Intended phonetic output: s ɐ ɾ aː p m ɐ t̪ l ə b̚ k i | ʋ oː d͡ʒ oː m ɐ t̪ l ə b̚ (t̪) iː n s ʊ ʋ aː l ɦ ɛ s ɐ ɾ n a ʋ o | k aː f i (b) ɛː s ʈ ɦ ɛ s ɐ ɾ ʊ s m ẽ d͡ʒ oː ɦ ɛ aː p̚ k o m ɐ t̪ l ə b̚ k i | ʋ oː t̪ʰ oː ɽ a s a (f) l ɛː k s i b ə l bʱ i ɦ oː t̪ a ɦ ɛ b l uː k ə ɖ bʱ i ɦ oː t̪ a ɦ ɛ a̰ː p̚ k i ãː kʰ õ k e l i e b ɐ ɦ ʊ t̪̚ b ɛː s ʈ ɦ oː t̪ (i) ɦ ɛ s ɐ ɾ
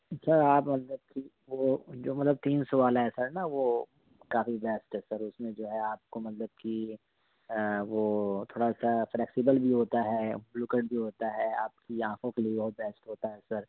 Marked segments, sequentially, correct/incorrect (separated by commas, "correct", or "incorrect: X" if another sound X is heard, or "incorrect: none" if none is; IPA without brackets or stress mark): correct, correct, correct, incorrect: a